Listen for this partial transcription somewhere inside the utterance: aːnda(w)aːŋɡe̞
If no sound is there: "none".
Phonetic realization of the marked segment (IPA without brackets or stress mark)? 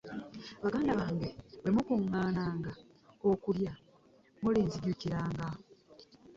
β